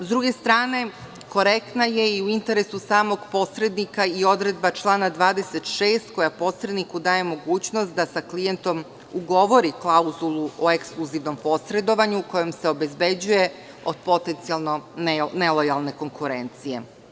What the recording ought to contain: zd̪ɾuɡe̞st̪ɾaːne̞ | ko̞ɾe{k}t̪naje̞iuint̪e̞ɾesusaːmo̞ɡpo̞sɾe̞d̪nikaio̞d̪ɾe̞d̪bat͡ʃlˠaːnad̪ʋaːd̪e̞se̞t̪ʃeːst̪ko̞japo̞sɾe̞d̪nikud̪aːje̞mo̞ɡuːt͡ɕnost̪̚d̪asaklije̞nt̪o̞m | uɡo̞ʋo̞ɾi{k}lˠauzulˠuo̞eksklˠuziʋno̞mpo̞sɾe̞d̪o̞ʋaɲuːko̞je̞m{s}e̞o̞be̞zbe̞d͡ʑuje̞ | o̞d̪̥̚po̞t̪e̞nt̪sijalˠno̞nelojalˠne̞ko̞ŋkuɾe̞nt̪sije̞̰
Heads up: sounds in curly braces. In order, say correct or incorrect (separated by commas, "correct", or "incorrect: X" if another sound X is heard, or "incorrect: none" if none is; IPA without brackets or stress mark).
correct, correct, correct